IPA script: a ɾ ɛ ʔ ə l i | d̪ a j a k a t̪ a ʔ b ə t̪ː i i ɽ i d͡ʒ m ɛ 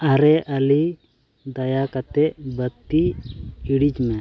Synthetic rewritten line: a ɾ ɛ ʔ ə l i | d̪ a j a k a t̪ ɛ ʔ b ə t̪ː i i ɽ i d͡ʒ m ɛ